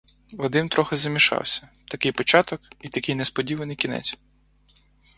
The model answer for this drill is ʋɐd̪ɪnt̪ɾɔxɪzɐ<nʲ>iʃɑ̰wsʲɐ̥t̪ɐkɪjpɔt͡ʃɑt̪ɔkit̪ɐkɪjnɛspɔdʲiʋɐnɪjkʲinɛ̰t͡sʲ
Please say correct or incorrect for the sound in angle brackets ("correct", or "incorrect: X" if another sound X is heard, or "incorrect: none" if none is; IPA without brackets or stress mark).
incorrect: mʲ